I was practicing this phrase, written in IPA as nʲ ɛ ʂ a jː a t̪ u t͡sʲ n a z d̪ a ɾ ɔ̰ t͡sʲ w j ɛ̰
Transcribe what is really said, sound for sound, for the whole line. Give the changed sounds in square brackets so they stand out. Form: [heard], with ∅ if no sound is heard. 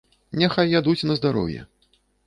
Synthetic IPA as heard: nʲ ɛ [x] a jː a [d̪] u t͡sʲ n [ɐ] z d̪ a ɾ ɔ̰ [∅] w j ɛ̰